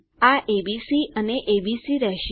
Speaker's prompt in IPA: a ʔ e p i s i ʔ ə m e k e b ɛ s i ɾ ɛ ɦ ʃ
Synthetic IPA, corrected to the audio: a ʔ e b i s i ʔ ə n e ʔ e b i s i ɾ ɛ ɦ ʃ